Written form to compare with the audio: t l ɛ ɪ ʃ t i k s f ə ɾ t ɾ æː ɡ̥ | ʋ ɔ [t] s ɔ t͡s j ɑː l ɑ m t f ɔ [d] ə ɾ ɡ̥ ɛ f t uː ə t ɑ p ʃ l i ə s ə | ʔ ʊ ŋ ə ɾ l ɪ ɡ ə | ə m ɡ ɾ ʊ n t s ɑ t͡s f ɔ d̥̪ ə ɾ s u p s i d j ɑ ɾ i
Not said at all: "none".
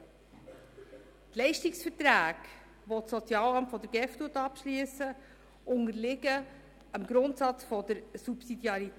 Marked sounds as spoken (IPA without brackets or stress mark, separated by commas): t, d